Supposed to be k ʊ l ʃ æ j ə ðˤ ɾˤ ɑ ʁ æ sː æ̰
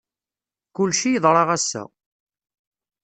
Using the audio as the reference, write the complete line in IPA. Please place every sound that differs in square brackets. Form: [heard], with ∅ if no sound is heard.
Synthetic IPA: k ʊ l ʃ [i] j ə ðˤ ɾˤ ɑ ʁ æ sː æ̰

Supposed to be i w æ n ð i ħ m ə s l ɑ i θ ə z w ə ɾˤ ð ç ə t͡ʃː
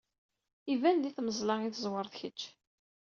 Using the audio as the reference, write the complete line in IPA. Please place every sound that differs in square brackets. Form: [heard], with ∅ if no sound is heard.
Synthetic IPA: i [v] æ n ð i [θ] m ə [z] l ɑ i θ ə z w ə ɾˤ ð ç ə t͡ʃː

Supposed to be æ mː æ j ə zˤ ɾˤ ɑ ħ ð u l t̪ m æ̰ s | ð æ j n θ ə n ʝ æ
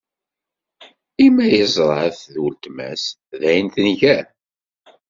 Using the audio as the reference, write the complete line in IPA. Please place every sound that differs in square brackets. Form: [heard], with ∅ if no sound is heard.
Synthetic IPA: [i] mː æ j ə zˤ ɾˤ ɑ [θ] ð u l t̪ m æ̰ s | ð æ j n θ ə n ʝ æ

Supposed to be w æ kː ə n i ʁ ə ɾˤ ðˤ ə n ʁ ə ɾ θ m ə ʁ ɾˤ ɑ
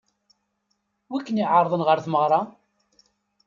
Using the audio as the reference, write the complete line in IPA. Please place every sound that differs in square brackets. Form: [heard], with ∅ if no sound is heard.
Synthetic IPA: w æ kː ə n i [ʕ] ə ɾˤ ðˤ ə n ʁ ə ɾ θ m ə ʁ ɾˤ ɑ

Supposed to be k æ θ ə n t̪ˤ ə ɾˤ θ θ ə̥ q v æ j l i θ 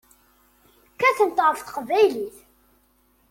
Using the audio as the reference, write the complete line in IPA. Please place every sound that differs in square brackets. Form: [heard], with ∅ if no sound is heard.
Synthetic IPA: k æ θ ə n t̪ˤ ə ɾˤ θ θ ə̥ q v æ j l i θ

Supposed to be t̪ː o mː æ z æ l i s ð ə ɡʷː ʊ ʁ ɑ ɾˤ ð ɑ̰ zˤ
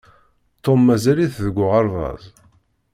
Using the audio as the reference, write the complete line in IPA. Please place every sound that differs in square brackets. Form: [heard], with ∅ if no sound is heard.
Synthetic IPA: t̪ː o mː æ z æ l i [θ] ð ə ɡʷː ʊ ʁ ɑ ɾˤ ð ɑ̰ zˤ

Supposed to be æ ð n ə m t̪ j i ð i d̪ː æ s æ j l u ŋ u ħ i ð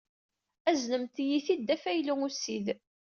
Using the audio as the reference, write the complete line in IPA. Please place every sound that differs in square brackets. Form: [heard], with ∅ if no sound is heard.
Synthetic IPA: æ [z] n ə m t̪ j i [θ] i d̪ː æ [f] æ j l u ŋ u [s] i ð

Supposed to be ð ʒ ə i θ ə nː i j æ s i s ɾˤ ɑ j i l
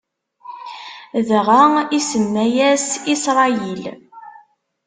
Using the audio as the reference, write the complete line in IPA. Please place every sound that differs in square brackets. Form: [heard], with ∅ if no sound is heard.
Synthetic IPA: ð [ʁ] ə i [s] ə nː [æ] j æ s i s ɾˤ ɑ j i l

